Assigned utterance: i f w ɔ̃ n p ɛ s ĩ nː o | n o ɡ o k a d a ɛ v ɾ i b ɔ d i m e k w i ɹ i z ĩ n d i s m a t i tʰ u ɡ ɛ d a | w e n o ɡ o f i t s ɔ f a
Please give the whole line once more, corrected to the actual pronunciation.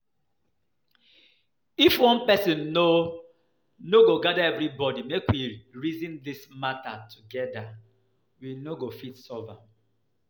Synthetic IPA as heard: i f w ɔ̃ n p ɛ s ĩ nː o | n o ɡ o ɡ a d a ɛ v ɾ i b ɔ d i m e k w i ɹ i z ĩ n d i s m a t a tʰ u ɡ ɛ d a | w i n o ɡ o f i t s ɔ v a

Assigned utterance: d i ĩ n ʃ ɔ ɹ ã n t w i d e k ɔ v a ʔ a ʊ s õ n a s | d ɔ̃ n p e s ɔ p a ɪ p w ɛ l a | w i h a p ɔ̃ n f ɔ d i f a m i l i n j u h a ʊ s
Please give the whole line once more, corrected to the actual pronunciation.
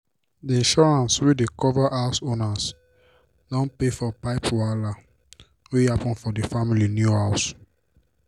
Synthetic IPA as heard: d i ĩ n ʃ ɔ ɹ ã n s w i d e k ɔ v a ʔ a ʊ s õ n a s | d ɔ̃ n p e f ɔ p a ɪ p w a l a | w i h a p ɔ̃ n f ɔ d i f a m i l i n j u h a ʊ s

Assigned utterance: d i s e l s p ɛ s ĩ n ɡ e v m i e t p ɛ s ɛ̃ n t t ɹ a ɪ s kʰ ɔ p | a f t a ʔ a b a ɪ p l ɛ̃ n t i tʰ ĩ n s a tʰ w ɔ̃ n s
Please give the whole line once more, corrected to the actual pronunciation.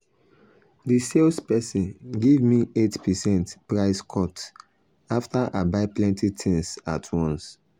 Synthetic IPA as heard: d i s e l s p ɛ s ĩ n ɡ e v m i e t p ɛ s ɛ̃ n t p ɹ a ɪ s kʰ ɔ t | a f t a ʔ a b a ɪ p l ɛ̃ n t i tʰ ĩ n s a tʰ w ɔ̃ n s

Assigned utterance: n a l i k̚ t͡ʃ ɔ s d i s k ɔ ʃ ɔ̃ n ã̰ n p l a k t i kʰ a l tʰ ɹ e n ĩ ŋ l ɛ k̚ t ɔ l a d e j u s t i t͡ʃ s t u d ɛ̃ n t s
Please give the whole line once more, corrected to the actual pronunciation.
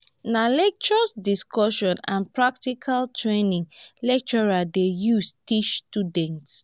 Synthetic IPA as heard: n a l ɛ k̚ t͡ʃ ɔ s d i s k ɔ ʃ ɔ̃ n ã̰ n p ɹ a k t i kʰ a l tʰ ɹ e n ĩ ŋ l ɛ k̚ t͡ʃ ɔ ɹ a d e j u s t i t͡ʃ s t u d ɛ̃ n t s

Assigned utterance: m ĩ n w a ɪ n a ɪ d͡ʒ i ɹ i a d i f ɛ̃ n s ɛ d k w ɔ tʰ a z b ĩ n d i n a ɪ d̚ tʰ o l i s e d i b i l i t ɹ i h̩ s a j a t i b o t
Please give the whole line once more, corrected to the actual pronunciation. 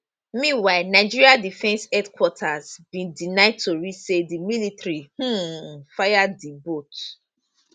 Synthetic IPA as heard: m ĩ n w a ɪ n a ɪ d͡ʒ i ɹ i a d i f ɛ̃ n s ɛ d k w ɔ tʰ a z b ĩ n d i n a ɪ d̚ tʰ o ɹ i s e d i m i l i t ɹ i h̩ f a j a d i b o t

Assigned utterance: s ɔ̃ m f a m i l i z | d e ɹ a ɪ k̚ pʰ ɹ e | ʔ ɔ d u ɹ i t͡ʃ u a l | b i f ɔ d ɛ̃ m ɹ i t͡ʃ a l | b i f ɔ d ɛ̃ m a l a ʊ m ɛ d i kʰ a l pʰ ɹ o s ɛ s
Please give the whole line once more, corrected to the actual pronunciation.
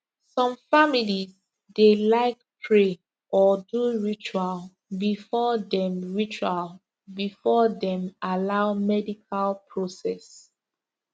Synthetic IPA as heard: s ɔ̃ m f a m i l i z | d e l a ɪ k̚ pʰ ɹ e | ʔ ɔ d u ɹ i t͡ʃ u a l | b i f ɔ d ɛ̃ m ɹ i t͡ʃ a l | b i f ɔ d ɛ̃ m a l a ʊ m ɛ d i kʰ a l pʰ ɹ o s ɛ s

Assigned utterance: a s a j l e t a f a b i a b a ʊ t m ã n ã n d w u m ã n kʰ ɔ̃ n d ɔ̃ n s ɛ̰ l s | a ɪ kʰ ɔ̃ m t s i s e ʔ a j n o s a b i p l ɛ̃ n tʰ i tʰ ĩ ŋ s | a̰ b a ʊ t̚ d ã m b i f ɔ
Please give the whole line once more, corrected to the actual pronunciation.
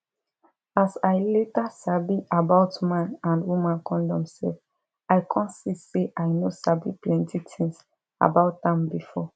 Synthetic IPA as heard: a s a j l e t a s a b i a b a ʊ t m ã n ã n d w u m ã n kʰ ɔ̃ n d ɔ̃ m s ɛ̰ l f | a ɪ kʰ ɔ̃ n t s i s e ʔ a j n o s a b i p l ɛ̃ n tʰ i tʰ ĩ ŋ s | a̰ b a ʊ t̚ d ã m b i f ɔ

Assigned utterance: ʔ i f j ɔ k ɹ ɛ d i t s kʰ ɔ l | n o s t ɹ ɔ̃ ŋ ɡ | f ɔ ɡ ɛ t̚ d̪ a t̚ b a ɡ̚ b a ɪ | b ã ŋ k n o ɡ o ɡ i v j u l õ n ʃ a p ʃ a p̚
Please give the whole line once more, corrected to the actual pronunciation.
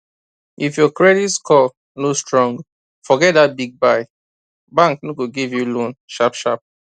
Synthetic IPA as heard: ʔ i f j ɔ k ɹ ɛ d i t s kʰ ɔ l | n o s t ɹ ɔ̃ ŋ ɡ | f ɔ ɡ ɛ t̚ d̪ a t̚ b i ɡ̚ b a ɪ | b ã ŋ k n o ɡ o ɡ i v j u l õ n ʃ a p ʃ a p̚

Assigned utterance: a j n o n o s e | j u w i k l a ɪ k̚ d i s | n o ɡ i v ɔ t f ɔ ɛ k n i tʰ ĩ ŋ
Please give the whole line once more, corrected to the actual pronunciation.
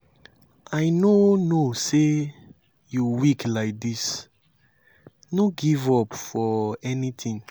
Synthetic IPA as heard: a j n o n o s e | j u w i k l a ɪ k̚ d i s | n o ɡ i v ɔ p f ɔ ɛ n i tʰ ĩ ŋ

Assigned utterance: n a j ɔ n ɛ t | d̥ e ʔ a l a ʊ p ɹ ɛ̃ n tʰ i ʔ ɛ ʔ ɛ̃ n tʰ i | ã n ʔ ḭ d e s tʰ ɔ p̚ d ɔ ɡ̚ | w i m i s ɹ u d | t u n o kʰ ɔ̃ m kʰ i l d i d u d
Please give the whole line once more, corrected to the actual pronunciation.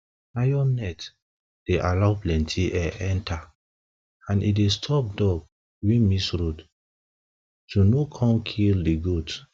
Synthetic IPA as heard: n a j ɔ n ɛ t | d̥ e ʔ a l a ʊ p l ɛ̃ n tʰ i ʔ ɛ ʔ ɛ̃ n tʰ a | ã n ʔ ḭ d e s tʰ ɔ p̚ d ɔ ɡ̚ | w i m i s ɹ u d | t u n o kʰ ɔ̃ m kʰ i l d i ɡ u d

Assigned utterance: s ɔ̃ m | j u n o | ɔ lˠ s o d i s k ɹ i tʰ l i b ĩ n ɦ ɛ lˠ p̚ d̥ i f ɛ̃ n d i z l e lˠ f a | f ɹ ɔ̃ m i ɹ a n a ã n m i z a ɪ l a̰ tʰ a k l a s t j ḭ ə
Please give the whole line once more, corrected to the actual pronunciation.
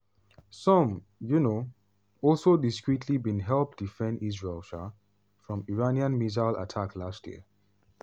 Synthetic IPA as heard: s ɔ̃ m | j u n o | ɔ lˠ s o d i s k ɹ i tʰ l i b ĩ n ɦ ɛ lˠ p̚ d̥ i f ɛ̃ n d i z ɹ e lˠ ʃ a | f ɹ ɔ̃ m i ɹ a n i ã n m i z a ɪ l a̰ tʰ a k l a s t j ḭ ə

